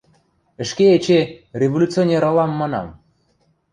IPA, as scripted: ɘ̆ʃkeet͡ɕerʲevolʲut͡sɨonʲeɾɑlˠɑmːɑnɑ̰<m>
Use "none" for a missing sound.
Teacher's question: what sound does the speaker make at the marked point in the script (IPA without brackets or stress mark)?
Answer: m